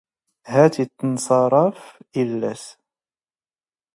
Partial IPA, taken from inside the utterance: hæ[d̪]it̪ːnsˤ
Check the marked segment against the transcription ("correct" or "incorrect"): incorrect